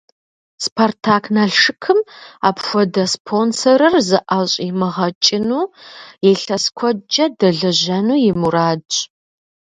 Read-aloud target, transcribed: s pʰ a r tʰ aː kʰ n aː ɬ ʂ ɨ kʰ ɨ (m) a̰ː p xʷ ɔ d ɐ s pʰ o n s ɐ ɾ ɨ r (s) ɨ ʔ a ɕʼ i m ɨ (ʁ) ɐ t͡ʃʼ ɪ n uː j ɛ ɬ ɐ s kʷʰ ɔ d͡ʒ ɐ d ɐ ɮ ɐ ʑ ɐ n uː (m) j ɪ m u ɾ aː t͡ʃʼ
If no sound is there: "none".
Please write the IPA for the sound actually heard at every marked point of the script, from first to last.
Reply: m, z, ʁ, none

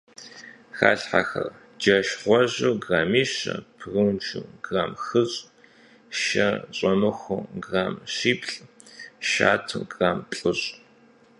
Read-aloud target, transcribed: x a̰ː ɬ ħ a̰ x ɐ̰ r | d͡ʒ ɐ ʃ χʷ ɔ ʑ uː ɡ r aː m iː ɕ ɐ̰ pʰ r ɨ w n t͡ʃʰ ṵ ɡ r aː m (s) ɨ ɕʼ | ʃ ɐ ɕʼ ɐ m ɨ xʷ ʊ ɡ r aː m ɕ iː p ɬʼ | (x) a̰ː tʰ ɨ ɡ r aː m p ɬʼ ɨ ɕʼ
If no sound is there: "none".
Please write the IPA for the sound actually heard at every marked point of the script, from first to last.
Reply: x, ʃ

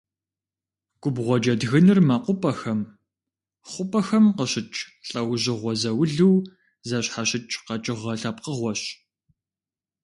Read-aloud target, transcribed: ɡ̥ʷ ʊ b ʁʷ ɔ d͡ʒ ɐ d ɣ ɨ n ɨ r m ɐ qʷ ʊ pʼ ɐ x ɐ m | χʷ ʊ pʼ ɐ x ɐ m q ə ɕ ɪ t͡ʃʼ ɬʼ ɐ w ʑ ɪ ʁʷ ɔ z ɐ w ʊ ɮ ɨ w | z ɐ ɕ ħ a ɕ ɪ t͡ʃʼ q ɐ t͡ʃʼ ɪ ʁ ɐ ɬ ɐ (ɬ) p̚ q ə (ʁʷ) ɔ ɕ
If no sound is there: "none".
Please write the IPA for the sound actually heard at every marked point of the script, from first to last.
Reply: none, ʁʷ

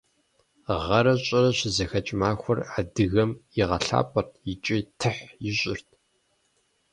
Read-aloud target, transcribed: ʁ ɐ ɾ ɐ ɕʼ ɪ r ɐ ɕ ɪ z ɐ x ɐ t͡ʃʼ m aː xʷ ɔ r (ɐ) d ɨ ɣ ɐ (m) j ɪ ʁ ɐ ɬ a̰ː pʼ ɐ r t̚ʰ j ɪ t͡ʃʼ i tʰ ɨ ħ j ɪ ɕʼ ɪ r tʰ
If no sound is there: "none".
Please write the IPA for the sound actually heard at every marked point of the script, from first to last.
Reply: a, m

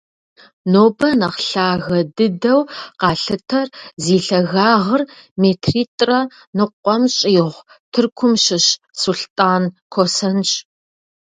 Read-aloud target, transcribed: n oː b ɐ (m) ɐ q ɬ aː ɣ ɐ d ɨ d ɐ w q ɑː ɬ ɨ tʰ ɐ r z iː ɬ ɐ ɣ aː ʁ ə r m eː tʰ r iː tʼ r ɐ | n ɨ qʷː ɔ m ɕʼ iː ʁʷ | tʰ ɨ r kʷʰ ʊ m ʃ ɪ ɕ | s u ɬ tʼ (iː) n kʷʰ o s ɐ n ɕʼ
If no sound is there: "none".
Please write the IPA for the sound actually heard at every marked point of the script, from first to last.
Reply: n, aː

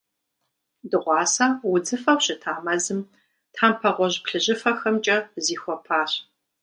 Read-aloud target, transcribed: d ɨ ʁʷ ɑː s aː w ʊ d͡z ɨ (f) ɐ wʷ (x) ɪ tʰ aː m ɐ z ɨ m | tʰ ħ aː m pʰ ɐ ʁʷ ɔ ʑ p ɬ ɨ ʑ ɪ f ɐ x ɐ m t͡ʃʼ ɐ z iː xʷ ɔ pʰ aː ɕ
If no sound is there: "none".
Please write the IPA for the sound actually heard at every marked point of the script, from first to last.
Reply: f, ɕ

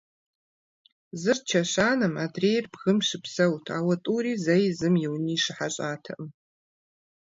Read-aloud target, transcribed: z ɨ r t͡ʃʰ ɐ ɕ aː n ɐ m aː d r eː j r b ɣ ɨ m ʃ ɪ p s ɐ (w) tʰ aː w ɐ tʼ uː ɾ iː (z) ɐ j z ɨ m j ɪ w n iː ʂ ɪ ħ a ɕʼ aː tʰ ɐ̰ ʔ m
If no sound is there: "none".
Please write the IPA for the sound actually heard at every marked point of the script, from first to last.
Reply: w, z

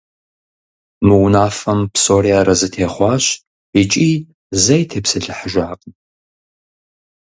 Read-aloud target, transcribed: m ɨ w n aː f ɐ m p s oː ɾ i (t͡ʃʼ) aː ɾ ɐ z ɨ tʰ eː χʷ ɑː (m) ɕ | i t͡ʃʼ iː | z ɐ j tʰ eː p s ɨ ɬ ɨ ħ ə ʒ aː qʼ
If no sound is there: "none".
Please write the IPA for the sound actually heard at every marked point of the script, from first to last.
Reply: none, none

